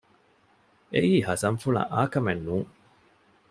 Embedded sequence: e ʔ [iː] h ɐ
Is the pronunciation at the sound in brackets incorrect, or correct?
correct